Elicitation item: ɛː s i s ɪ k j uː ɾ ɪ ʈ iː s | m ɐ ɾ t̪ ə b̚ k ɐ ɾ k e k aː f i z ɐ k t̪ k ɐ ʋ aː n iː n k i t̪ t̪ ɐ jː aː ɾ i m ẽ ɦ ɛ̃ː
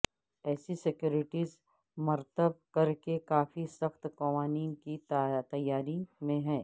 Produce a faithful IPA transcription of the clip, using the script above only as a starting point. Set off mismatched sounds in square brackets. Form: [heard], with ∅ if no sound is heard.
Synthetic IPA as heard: ɛː s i s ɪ k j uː ɾ ɪ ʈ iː [z] | m ɐ ɾ t̪ ə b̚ k ɐ ɾ k e k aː f i [s] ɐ [x] t̪ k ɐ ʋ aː n iː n k i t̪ t̪ ɐ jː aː ɾ i m ẽ ɦ ɛ̃ː